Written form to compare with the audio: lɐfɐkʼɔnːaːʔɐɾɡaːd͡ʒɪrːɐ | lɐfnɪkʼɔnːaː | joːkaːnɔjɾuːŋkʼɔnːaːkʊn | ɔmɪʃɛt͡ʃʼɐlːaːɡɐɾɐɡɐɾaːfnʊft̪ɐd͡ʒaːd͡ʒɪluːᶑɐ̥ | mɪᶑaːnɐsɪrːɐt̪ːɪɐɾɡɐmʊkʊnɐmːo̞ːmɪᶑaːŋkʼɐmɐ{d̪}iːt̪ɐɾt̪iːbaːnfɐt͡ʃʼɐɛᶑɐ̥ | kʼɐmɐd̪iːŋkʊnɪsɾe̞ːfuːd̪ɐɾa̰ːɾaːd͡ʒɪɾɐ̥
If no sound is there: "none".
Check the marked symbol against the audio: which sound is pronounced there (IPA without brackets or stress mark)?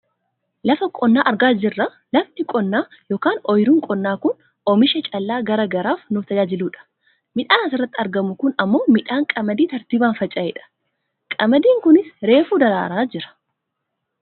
d̪